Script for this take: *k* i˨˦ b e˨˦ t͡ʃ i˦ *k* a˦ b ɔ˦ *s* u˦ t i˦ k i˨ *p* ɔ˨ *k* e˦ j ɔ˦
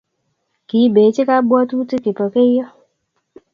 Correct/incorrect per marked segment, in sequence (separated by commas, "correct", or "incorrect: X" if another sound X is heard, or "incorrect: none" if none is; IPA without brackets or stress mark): correct, correct, incorrect: t, correct, correct